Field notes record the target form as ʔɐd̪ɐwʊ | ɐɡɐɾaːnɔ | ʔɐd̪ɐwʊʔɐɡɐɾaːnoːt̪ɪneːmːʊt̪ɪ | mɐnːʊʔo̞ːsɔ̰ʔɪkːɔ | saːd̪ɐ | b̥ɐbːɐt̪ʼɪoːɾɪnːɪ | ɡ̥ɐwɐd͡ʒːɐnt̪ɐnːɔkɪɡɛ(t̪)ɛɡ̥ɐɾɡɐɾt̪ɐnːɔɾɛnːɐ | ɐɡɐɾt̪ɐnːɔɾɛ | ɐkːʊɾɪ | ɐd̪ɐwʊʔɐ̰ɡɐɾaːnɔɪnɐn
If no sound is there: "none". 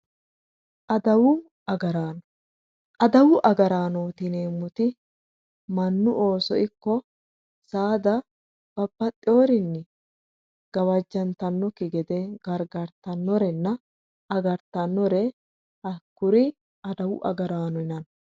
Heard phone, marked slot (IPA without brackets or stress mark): d̪